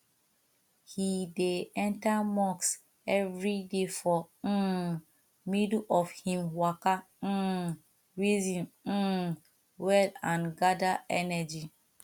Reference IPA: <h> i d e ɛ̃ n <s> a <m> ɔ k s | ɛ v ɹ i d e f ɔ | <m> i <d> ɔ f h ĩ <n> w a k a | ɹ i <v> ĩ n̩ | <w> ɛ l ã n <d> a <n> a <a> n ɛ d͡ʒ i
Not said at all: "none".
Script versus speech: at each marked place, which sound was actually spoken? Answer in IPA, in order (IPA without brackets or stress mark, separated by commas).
h, t, m, m, d, m, z, w, ɡ, d, ɛ